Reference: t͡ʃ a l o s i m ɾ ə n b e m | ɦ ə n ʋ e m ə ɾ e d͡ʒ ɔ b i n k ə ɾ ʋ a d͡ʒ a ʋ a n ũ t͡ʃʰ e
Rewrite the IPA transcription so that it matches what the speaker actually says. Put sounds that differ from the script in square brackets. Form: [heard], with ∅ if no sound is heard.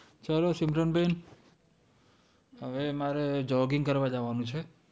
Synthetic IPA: t͡ʃ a l o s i m ɾ ə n b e [n] | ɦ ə [∅] ʋ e m [a] ɾ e d͡ʒ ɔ [ɡ] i [ŋ] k ə ɾ ʋ a d͡ʒ a ʋ a n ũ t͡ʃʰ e